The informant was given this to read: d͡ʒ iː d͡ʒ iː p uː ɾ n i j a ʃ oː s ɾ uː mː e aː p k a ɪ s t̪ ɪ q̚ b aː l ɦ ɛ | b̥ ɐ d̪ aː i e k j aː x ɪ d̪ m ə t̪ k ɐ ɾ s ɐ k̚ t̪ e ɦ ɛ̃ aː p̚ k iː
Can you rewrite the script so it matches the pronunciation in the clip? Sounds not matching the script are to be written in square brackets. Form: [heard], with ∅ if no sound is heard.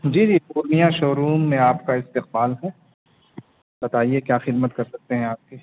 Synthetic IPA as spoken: d͡ʒ iː d͡ʒ iː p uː ɾ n i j a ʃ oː [∅] ɾ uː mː [ẽ] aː p k a ɪ s t̪ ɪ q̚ b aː l ɦ ɛ | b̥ ɐ [t̪] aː i e k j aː x ɪ d̪ m ə t̪ k ɐ ɾ s ɐ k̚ t̪ e ɦ ɛ̃ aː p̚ k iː